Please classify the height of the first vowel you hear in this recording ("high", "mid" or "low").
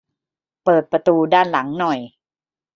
mid